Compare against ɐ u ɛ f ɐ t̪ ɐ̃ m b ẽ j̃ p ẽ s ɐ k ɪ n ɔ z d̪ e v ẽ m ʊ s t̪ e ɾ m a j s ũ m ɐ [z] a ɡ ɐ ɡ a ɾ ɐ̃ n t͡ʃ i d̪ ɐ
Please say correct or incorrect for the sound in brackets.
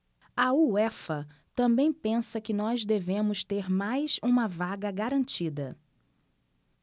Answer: incorrect